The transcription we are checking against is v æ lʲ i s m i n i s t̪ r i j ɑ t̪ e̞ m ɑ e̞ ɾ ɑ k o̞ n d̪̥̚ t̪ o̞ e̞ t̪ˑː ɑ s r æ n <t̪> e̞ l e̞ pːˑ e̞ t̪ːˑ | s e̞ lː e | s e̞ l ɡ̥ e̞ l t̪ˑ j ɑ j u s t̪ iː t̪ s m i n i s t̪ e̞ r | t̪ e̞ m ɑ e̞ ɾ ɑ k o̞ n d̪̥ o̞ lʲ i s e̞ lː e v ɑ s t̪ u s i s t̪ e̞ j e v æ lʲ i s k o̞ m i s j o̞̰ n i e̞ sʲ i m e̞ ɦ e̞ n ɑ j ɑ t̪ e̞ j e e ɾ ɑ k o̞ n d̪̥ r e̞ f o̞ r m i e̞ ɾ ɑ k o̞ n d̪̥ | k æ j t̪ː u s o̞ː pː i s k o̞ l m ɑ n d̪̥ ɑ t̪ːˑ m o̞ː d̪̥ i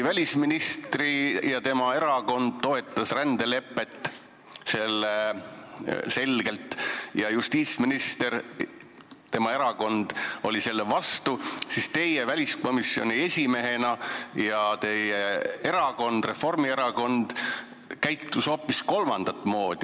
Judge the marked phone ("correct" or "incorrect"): incorrect